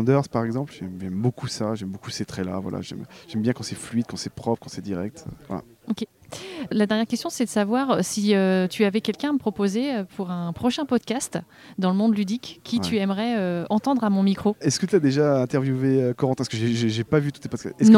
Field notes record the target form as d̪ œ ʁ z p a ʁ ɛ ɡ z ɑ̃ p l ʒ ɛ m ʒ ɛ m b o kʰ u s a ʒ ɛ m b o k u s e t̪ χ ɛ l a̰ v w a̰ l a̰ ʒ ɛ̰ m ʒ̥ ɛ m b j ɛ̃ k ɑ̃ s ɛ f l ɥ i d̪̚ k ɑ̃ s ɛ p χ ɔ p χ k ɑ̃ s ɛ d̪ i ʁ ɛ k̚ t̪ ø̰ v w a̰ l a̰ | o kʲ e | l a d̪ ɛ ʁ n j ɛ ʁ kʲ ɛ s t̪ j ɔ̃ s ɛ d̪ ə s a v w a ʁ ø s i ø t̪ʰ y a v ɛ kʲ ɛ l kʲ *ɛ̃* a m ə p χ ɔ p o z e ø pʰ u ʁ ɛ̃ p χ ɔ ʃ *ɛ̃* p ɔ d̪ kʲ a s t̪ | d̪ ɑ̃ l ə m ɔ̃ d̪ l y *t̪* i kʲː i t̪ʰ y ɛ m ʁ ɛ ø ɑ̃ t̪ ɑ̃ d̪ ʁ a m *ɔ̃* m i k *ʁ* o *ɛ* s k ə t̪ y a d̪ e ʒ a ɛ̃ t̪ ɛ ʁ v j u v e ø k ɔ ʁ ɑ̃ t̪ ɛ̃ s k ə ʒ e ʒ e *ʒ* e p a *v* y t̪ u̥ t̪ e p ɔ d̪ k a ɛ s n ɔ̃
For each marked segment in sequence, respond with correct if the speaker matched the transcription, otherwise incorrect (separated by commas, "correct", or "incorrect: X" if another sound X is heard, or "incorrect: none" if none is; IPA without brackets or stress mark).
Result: correct, correct, incorrect: d̪, correct, incorrect: χ, correct, correct, correct